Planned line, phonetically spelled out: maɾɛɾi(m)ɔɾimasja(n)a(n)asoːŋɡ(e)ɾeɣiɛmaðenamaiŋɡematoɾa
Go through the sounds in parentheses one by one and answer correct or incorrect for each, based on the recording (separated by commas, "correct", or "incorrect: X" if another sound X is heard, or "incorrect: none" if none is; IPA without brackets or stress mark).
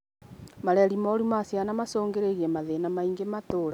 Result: correct, correct, incorrect: m, correct